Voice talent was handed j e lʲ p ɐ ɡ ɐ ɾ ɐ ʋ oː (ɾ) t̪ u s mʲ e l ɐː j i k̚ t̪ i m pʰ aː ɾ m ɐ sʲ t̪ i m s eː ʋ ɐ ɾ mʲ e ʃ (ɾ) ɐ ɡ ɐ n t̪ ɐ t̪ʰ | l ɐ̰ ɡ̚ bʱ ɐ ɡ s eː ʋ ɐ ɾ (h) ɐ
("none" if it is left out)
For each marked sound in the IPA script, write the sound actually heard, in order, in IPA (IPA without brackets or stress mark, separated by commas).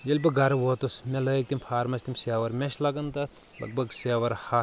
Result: none, l, h